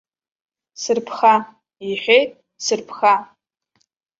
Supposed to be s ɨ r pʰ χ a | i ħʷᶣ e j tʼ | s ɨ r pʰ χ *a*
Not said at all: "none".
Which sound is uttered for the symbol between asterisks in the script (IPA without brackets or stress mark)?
a